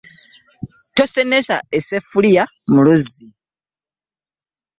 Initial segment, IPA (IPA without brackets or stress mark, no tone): t